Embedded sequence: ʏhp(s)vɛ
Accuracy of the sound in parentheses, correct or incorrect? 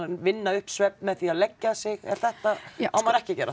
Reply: correct